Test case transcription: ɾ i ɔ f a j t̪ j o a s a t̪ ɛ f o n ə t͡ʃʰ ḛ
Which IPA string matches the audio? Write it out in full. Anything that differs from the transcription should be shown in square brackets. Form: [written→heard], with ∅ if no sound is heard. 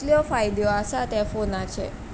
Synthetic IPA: [ɾ→l] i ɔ f a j [t̪→d̪] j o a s a t̪ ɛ f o n [ə→a] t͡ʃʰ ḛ